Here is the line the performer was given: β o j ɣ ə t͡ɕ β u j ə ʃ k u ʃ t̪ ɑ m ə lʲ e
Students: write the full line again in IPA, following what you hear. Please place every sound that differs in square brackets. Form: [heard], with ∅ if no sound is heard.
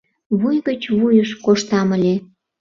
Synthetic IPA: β [u] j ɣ ə t͡ɕ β u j ə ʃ k [o] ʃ t̪ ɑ m ə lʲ e